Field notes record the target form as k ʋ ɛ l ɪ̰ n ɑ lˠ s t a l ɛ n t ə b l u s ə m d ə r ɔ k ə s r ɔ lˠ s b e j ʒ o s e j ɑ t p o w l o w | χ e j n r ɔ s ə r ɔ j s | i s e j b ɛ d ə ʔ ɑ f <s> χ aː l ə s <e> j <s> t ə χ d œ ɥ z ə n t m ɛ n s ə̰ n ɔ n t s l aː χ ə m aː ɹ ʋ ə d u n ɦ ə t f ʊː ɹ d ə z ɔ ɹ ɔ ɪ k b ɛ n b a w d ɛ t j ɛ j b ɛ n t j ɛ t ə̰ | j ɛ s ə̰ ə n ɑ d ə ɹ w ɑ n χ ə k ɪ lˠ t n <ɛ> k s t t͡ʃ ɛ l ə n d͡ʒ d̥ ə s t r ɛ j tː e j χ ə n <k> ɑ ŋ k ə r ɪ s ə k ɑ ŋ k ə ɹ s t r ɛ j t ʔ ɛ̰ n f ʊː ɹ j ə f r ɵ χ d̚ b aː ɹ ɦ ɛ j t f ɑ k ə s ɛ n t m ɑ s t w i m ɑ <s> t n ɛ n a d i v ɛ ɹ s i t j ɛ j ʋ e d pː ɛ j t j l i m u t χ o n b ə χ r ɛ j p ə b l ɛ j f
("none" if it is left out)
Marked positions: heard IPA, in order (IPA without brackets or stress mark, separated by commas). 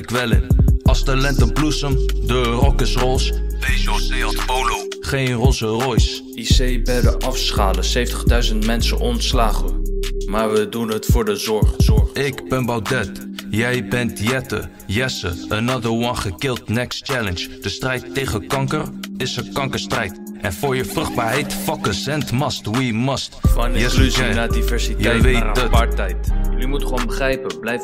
s, e, f, ɛ, k, s